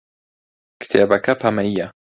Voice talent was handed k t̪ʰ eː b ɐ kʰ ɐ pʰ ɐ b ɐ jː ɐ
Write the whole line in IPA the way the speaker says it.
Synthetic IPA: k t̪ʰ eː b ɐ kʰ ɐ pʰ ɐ m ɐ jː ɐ